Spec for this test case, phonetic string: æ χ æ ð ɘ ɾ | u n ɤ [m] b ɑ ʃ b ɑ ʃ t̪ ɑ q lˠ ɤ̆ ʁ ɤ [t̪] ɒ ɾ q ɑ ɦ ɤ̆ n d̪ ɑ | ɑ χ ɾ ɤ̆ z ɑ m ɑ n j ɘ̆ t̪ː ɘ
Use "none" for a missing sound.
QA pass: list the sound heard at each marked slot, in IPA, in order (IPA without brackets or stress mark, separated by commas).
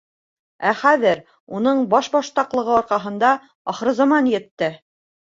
ɴ, none